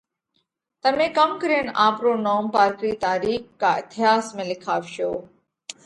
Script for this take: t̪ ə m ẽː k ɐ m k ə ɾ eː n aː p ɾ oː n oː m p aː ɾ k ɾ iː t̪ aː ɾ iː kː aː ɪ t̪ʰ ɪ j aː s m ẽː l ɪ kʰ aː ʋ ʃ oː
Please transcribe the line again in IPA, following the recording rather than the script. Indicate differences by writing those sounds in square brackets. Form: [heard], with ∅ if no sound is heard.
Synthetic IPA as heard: t̪ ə m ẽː k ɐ m k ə ɾ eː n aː p ɾ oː n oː m p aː ɾ k ɾ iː t̪ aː ɾ iː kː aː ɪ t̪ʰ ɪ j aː s m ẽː l ɪ kʰ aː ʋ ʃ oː

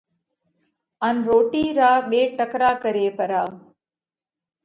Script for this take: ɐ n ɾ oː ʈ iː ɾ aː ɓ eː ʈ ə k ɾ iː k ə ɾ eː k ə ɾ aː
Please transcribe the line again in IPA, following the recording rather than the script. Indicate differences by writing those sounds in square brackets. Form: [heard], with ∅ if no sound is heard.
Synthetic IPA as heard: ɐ n ɾ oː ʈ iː ɾ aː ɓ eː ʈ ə k ɾ [aː] k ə ɾ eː [p] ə ɾ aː

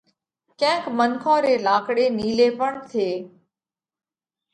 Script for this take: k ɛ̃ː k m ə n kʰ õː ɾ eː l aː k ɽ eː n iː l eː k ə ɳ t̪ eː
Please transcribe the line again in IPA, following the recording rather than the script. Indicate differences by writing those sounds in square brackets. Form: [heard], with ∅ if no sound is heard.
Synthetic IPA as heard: k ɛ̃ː k m ə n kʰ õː ɾ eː l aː k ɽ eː n iː l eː [p] ə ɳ [t̪ʰ] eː

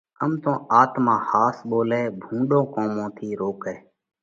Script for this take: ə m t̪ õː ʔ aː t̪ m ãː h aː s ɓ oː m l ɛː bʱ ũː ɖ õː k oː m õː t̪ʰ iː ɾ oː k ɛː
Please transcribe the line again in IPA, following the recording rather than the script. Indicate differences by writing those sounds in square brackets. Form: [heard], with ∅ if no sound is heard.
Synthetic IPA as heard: ə m t̪ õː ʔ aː t̪ m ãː h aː s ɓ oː [∅] l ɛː bʱ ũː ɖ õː k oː m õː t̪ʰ iː ɾ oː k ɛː

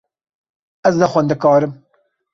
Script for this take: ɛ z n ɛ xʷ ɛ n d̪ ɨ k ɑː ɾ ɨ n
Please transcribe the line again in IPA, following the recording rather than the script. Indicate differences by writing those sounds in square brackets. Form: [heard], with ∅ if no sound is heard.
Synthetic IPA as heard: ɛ z n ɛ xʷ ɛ n d̪ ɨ k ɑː ɾ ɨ [m]

